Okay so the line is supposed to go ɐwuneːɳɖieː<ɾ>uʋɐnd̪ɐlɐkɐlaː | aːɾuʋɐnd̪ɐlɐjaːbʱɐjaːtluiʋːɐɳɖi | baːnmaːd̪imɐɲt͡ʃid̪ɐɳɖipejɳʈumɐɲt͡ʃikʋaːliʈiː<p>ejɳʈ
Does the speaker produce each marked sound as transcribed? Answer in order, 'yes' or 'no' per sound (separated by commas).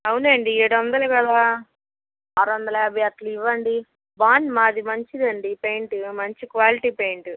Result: no, yes